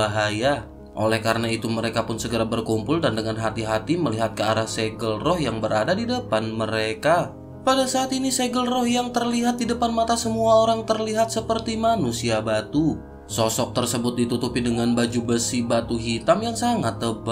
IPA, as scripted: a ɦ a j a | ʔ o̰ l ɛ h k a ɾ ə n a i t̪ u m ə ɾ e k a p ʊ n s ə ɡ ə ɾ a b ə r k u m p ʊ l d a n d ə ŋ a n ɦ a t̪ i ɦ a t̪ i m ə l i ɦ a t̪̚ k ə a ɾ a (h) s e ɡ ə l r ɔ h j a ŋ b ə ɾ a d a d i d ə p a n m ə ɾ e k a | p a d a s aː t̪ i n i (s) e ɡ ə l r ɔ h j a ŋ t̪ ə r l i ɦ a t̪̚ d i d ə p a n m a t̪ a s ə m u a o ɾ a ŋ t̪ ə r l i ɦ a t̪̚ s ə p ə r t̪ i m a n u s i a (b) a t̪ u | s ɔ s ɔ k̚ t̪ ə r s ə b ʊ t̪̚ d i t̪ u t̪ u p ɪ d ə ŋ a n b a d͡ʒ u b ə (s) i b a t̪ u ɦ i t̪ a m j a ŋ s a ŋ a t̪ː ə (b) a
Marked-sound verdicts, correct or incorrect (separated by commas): correct, correct, correct, correct, correct